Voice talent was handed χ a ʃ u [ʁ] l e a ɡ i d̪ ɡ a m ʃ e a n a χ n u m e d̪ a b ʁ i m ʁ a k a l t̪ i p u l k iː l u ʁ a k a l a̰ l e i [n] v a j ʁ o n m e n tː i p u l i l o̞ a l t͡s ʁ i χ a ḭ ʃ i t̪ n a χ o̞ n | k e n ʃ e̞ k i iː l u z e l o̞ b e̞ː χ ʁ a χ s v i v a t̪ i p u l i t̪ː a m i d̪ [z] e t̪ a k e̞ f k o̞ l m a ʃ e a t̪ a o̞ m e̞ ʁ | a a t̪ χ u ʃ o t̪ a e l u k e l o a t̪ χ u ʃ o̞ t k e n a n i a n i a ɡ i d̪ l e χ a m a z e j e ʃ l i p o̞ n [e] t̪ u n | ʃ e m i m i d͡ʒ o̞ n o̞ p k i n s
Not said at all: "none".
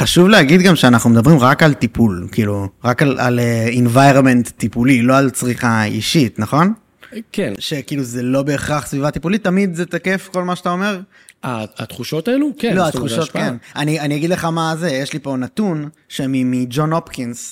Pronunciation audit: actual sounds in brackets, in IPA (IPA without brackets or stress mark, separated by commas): v, n, z, a